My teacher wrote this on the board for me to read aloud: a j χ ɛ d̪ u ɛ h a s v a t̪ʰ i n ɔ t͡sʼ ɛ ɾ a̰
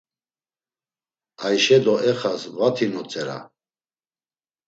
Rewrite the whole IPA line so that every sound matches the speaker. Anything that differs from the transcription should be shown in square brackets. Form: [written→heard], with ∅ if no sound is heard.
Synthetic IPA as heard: a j [χ→ʃ] ɛ d̪ [u→ɔ] ɛ [h→χ] a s v a t̪ʰ i n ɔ t͡sʼ ɛ ɾ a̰